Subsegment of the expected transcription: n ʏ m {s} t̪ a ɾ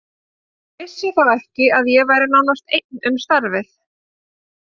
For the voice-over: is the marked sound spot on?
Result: yes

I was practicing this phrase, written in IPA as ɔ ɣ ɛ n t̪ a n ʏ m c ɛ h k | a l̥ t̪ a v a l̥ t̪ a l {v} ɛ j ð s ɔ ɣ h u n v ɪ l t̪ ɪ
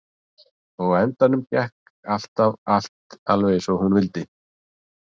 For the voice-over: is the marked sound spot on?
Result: yes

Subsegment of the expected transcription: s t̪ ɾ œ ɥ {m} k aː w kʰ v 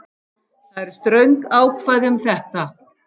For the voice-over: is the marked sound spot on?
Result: no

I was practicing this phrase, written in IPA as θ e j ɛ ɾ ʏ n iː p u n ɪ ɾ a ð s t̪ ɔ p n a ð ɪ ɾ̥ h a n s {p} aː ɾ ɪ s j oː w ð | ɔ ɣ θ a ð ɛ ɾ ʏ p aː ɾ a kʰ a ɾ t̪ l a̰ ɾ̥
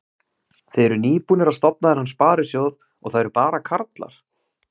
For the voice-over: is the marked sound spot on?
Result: yes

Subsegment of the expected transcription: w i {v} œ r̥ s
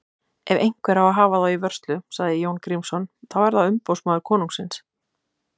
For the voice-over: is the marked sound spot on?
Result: yes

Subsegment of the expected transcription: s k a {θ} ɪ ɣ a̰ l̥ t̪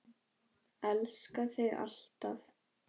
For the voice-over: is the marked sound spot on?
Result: yes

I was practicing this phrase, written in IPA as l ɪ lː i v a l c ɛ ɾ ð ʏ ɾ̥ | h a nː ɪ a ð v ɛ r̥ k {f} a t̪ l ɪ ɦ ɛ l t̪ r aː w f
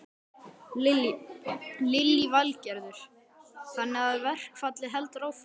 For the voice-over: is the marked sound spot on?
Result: yes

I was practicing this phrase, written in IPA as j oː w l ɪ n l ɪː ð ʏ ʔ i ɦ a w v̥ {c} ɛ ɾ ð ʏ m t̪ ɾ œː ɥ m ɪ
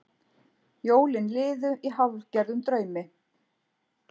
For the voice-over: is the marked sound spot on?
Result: yes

